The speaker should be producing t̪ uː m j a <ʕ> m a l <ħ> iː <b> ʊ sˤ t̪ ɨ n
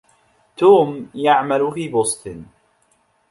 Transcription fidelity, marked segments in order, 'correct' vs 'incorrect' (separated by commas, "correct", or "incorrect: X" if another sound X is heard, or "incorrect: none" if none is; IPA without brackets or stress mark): correct, incorrect: f, correct